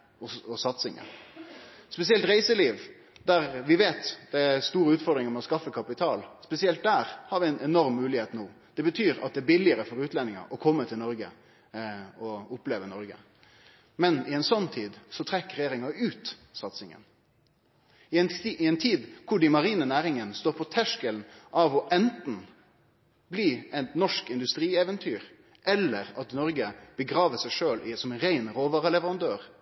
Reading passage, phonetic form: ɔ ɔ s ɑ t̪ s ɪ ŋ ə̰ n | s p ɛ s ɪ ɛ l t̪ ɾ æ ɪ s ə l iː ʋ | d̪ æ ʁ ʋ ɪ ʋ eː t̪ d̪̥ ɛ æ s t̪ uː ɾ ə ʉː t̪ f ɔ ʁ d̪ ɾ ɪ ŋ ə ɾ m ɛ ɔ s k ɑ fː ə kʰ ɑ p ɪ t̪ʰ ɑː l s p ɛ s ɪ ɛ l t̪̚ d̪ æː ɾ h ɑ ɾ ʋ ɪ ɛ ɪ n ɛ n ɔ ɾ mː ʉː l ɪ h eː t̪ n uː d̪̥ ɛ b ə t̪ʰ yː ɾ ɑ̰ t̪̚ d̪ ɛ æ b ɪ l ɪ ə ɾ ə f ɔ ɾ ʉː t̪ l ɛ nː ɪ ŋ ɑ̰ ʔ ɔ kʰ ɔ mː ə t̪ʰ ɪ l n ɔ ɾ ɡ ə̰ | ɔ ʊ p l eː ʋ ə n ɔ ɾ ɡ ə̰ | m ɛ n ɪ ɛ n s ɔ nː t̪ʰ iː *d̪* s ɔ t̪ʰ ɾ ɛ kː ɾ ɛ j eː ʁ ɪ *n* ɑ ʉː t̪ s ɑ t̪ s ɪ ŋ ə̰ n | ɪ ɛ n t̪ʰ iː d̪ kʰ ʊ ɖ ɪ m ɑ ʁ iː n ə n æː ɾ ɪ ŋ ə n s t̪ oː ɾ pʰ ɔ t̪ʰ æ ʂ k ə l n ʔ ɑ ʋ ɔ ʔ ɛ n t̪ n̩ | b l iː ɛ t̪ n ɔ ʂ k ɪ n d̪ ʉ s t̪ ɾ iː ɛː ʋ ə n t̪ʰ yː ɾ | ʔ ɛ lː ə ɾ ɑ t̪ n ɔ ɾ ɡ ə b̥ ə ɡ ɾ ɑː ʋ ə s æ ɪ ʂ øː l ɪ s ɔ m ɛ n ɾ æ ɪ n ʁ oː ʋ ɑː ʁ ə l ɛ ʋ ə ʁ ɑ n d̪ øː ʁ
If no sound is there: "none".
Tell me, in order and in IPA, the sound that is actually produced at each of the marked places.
d̪, ŋ

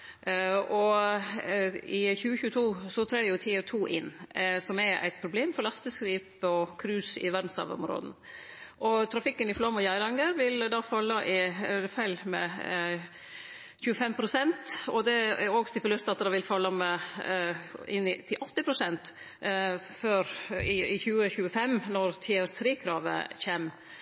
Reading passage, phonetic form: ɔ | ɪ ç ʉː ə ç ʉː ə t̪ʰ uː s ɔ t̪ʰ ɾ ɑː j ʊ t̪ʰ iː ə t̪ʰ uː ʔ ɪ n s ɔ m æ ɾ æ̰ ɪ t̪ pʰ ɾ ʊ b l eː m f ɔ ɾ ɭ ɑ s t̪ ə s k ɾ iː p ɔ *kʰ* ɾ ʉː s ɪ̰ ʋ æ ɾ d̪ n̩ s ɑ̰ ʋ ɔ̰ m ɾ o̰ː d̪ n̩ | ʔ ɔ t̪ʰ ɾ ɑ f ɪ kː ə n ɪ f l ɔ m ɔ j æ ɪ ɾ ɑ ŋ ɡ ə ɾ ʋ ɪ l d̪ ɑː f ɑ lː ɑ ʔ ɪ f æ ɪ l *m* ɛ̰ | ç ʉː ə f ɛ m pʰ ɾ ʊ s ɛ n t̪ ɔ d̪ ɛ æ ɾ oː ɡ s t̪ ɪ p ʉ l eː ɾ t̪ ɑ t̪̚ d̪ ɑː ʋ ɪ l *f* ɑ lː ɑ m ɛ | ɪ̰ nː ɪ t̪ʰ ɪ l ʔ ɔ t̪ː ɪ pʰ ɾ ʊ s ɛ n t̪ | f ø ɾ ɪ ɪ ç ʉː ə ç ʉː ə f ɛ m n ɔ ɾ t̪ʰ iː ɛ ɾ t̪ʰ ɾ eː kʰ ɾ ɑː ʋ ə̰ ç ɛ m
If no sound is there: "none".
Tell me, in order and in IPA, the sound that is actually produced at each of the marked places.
kʰ, m, f

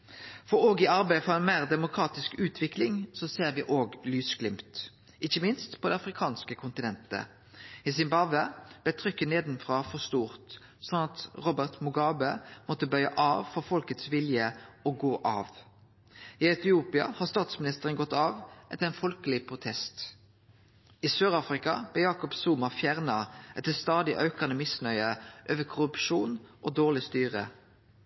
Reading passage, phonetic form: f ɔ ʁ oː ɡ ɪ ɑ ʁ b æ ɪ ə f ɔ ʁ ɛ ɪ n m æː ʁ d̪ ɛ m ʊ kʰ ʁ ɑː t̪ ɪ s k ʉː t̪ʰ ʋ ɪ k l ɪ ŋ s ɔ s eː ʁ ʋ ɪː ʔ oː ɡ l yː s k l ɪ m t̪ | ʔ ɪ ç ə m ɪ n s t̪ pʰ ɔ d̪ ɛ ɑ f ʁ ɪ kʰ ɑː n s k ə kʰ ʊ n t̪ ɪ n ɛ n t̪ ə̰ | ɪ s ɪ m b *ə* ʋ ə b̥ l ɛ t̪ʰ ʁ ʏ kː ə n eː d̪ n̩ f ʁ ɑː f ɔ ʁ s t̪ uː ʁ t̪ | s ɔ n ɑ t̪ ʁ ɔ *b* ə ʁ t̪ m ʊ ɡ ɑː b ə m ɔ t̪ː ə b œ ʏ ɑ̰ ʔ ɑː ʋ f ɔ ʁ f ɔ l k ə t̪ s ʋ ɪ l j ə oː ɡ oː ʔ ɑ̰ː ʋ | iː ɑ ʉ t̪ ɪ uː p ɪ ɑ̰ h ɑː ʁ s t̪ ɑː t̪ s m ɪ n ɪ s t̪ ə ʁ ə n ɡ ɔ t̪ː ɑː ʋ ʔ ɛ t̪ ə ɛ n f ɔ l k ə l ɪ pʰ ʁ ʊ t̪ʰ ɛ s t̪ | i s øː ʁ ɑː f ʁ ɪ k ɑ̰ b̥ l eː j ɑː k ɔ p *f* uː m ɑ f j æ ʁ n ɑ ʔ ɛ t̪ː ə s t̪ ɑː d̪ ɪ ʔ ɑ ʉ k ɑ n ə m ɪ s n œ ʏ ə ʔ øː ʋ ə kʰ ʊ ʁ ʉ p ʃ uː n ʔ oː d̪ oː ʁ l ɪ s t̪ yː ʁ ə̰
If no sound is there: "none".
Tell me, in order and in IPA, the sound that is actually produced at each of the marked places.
ɑ, b, s

